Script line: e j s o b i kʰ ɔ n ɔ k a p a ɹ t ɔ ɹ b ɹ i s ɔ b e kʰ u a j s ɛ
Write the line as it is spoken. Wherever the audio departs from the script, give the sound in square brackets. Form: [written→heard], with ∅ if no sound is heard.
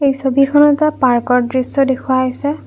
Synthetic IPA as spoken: e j s o b i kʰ ɔ n ɔ [k→t] a p a ɹ [t→k] ɔ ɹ [b→d] ɹ i s ɔ [b→d] e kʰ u a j s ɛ

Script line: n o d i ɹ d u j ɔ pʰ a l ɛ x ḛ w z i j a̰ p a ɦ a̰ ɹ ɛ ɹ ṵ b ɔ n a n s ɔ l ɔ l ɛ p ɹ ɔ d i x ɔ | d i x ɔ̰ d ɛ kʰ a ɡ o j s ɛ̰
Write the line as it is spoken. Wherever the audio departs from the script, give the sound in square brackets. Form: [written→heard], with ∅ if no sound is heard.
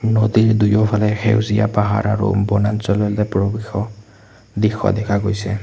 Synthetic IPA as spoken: n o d i ɹ d u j ɔ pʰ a l ɛ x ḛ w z i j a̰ p a ɦ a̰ ɹ [ɛ→a] ɹ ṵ b ɔ n a n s ɔ l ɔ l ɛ p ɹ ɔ [d→b] i x ɔ | d i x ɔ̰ d ɛ kʰ a ɡ o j s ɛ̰

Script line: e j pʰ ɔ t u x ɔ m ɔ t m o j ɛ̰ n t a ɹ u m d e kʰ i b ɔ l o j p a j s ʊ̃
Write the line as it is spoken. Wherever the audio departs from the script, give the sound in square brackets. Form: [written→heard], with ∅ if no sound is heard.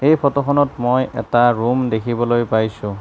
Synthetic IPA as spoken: e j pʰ ɔ t [u→ɔ] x ɔ [m→n] ɔ t m o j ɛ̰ [n→∅] t a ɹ u m d e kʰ i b ɔ l o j p a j s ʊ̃

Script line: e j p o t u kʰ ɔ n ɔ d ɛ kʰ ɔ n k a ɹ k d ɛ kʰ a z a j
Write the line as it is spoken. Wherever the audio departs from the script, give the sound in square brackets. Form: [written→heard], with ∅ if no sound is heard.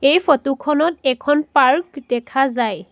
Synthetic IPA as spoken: e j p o t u kʰ ɔ n ɔ [d→t] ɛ kʰ ɔ n [k→p] a ɹ k d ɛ kʰ a z a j

